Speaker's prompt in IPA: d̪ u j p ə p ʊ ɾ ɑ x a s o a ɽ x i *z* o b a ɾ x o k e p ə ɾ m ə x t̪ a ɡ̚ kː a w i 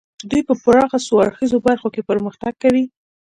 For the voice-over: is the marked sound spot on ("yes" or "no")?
yes